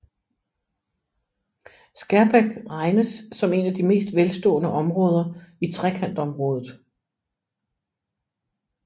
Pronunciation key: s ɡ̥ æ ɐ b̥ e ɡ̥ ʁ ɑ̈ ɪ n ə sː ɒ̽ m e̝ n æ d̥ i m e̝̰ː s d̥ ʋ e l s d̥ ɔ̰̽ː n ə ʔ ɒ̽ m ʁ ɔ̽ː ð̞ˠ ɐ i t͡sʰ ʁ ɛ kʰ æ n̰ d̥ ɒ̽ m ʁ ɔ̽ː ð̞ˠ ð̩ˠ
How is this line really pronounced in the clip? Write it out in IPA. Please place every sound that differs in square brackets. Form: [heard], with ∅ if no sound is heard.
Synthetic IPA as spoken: s ɡ̥ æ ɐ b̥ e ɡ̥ ʁ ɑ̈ ɪ n ə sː ɒ̽ m e̝ n æ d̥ i m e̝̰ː s d̥ ʋ e l s d̥ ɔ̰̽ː n ə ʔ ɒ̽ m ʁ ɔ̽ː ð̞ˠ ɐ i t͡sʰ ʁ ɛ kʰ æ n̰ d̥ ɒ̽ m ʁ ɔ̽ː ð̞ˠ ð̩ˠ